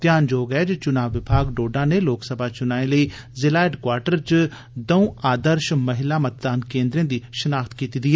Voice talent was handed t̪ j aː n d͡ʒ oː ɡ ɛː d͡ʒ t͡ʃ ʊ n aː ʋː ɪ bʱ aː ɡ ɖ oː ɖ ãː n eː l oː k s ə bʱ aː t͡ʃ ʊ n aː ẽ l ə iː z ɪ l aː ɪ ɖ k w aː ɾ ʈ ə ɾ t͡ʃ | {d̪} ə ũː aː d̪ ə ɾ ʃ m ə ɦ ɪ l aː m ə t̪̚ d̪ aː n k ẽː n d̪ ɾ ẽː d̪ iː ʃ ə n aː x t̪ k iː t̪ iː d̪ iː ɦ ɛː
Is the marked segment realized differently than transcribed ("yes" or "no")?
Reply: no